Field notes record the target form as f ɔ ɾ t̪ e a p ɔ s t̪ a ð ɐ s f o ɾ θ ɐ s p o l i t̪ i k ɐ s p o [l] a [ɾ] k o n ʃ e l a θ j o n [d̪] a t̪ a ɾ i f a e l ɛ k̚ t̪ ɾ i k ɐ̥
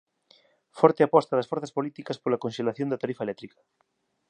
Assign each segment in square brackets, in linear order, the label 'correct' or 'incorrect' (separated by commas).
correct, incorrect, correct